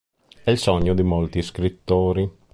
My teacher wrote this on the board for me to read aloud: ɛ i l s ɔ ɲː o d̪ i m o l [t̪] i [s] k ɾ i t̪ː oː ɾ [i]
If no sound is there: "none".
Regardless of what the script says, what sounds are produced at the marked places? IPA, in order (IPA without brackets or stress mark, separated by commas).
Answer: t̪, s, i